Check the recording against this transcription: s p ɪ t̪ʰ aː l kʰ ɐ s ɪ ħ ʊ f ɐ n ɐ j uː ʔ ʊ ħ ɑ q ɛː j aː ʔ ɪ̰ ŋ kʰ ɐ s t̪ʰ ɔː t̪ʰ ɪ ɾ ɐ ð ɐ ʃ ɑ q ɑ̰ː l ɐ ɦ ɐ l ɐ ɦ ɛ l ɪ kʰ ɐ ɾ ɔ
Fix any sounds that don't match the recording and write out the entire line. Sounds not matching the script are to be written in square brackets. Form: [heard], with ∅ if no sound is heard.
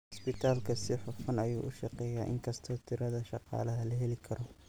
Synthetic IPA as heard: s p ɪ t̪ʰ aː l kʰ ɐ s ɪ ħ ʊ f ɐ n ɐ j uː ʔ ʊ [ʃ] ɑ q ɛː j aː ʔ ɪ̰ ŋ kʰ ɐ s t̪ʰ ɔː t̪ʰ ɪ ɾ ɐ ð ɐ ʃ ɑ q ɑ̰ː l ɐ ɦ ɐ l ɐ ɦ ɛ l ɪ kʰ ɐ ɾ ɔ